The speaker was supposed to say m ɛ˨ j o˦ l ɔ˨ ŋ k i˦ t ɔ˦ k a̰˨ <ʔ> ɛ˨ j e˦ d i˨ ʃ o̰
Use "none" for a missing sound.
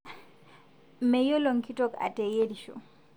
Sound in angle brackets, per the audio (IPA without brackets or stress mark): t